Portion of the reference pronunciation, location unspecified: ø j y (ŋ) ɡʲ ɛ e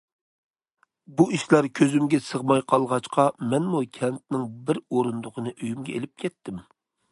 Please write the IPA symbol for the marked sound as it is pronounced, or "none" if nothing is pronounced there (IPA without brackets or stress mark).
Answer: m